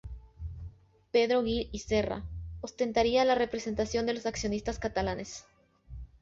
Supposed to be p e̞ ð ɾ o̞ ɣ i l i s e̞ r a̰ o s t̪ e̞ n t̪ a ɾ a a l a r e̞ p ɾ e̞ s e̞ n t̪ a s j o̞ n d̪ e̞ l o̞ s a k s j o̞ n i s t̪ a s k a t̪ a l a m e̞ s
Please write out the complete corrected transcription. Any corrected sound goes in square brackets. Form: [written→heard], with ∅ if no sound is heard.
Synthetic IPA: p e̞ ð ɾ o̞ ɣ i l i s e̞ r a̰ o s t̪ e̞ n t̪ a ɾ [a→i] a l a r e̞ p ɾ e̞ s e̞ n t̪ a s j o̞ n d̪ e̞ l o̞ s a k s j o̞ n i s t̪ a s k a t̪ a l a [m→n] e̞ s